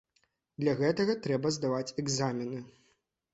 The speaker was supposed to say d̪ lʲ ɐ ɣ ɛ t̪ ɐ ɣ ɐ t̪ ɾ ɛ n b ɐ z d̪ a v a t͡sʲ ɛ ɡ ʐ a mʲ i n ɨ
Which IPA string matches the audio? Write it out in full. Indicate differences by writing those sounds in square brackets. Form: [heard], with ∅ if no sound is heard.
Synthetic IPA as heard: d̪ lʲ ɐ ɣ ɛ t̪ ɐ ɣ ɐ t̪ ɾ ɛ [∅] b ɐ z d̪ a v a t͡sʲ ɛ ɡ [z] a mʲ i n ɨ

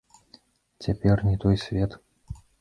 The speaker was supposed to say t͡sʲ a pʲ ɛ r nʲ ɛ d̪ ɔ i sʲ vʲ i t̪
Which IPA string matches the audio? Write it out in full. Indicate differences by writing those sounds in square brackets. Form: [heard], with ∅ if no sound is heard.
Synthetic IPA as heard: t͡sʲ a pʲ ɛ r nʲ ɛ [t̪] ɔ [j] sʲ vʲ [ɛ] t̪

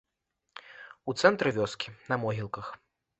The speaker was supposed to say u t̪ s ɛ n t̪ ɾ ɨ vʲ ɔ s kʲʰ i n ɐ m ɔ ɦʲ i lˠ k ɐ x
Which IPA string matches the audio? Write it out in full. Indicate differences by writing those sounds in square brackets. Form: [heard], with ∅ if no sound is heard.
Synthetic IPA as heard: u t̪ s ɛ n t̪ ɾ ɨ vʲ ɔ s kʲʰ i n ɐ m ɔ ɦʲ i lˠ k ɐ x

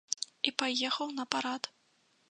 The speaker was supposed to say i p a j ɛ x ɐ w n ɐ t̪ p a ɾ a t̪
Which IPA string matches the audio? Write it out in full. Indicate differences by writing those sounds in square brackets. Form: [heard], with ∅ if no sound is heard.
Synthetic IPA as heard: i p a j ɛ x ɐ w n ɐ [∅] p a ɾ a t̪

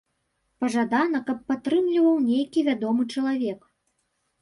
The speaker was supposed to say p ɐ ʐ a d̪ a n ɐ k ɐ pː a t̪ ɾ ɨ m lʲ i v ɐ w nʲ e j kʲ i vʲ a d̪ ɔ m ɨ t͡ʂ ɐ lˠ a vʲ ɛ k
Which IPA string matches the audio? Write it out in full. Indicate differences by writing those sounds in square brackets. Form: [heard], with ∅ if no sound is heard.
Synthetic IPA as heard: p ɐ ʐ a d̪ a n ɐ k ɐ pː a t̪ ɾ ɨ m lʲ i v ɐ w nʲ e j kʲ i vʲ a d̪ ɔ m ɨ t͡ʂ ɐ lˠ a vʲ ɛ k

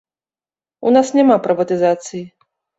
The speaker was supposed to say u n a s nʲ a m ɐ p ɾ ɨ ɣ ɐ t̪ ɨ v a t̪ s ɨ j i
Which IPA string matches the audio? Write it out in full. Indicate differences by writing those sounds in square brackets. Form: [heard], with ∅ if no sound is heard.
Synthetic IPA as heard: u n a s nʲ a m [a] p ɾ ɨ [v] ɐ t̪ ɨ [z] a t̪ s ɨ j i

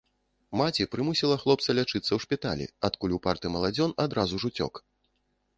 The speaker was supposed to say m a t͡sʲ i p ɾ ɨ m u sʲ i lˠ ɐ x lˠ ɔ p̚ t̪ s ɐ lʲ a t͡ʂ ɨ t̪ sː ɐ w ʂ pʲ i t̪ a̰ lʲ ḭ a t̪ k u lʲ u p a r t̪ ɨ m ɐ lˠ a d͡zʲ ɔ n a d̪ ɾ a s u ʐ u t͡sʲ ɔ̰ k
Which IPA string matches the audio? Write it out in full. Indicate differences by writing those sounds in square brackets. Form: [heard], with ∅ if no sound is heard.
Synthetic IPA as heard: m a t͡sʲ i p ɾ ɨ m u sʲ i lˠ ɐ x lˠ ɔ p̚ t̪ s ɐ lʲ a t͡ʂ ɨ t̪ sː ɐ w ʂ pʲ i t̪ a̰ lʲ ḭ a t̪ k u lʲ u p a r t̪ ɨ m ɐ lˠ a d͡zʲ ɔ n a d̪ ɾ a [z] u ʐ u t͡sʲ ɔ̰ k

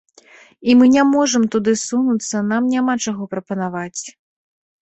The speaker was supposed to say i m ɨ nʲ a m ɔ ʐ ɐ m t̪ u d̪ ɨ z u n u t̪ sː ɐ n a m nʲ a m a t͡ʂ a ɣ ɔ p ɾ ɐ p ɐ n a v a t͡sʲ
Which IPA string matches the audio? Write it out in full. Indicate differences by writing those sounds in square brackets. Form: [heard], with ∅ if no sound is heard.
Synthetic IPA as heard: i m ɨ nʲ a m ɔ ʐ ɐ m t̪ u d̪ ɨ [s] u n u t̪ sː ɐ n a m nʲ a m a t͡ʂ a ɣ ɔ p ɾ ɐ p ɐ n a v a t͡sʲ

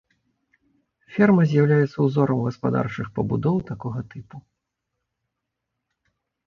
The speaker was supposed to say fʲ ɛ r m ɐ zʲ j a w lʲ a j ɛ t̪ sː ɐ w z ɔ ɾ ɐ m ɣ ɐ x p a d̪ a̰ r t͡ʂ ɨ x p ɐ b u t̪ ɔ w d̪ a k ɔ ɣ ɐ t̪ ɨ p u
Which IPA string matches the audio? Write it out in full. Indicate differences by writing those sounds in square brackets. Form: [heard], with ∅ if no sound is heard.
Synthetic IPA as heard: fʲ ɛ r m ɐ zʲ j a w lʲ a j ɛ t̪ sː ɐ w z ɔ ɾ ɐ m ɣ ɐ [s] p a d̪ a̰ r t͡ʂ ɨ x p ɐ b u [d̪] ɔ w [t̪] a k ɔ ɣ ɐ t̪ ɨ p u

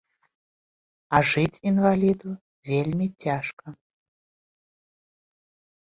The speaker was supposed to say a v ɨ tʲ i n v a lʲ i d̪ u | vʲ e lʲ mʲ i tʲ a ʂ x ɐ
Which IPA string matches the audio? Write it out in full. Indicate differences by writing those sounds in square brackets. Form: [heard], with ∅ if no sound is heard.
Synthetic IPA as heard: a [ʐ] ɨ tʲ i n v a lʲ i d̪ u | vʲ e lʲ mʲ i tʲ a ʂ [k] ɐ

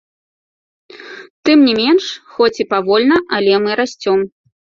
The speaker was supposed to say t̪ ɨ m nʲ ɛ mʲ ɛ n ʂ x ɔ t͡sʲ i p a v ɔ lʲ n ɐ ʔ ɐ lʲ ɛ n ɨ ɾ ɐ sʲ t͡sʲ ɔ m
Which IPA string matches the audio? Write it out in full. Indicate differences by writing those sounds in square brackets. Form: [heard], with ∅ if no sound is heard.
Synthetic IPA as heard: t̪ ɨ m nʲ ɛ mʲ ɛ n ʂ x ɔ t͡sʲ i p a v ɔ lʲ n ɐ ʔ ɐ lʲ ɛ [m] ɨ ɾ [a] sʲ t͡sʲ ɔ m

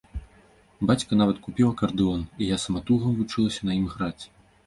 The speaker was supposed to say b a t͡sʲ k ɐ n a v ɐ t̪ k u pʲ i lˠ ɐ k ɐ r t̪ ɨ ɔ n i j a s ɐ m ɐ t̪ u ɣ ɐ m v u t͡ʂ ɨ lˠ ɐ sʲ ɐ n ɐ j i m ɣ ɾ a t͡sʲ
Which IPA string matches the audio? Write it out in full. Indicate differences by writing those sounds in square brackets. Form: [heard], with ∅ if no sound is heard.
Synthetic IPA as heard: b a t͡sʲ k ɐ n a v ɐ t̪ k u pʲ i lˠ ɐ k ɐ r [d̪] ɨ ɔ n i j a s ɐ m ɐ t̪ u ɣ ɐ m v u t͡ʂ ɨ lˠ ɐ sʲ ɐ n ɐ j i m ɣ ɾ a t͡sʲ

